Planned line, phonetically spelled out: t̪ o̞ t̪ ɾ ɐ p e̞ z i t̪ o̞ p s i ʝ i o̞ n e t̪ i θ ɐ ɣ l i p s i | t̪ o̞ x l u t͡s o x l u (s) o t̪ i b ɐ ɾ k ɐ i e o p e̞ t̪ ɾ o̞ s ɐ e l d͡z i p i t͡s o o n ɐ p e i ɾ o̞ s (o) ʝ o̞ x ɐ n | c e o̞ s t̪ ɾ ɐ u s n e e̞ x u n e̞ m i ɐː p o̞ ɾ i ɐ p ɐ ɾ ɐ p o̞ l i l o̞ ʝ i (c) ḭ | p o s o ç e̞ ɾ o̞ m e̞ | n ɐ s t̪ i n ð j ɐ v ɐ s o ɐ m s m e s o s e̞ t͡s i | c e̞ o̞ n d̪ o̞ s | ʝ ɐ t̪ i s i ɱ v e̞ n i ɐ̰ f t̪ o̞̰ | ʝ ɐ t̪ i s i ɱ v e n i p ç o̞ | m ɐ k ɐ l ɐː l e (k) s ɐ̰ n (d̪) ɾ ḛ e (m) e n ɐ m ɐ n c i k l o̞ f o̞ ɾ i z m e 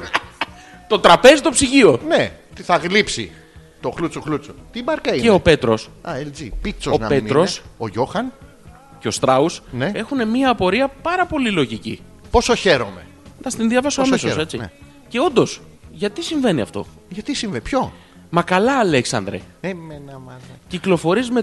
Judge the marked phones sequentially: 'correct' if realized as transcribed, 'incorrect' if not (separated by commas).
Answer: incorrect, correct, correct, correct, correct, correct